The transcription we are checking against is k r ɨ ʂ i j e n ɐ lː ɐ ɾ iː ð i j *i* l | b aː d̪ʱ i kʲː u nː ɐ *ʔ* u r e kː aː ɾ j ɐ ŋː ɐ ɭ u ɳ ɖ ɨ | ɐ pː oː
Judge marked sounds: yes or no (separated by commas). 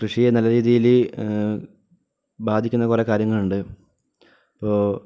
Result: yes, no